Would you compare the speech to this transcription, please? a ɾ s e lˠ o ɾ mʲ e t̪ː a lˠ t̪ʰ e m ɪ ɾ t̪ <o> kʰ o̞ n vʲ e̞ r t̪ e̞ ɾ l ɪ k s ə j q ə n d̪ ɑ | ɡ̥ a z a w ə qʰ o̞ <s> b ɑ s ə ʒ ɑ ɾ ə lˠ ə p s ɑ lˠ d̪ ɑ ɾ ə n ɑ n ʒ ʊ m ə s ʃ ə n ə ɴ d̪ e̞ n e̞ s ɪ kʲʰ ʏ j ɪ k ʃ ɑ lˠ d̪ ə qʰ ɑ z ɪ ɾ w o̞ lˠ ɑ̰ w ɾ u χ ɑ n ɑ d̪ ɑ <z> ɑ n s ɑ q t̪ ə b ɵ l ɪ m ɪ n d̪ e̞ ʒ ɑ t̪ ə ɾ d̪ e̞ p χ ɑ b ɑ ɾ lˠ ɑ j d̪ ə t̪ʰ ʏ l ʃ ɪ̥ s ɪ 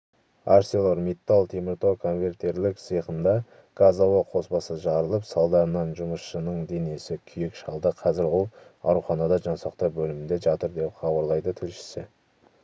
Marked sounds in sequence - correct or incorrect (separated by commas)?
correct, correct, incorrect